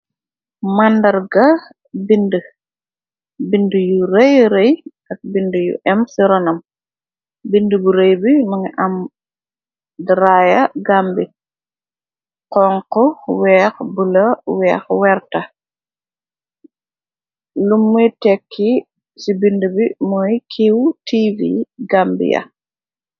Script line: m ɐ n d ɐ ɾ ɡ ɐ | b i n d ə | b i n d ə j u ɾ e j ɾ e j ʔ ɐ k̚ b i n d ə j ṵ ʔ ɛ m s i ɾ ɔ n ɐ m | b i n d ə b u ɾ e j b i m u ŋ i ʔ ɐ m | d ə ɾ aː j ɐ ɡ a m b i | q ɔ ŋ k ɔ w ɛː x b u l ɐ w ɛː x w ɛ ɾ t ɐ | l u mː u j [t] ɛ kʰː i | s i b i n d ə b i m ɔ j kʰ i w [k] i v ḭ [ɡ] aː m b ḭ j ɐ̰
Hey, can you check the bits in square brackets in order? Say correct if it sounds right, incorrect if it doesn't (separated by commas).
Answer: correct, incorrect, correct